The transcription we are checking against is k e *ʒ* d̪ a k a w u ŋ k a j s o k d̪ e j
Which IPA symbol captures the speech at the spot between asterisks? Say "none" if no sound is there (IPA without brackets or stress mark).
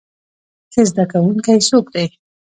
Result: z